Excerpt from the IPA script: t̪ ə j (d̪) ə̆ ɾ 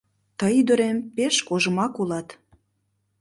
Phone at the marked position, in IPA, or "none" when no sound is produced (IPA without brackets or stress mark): d̪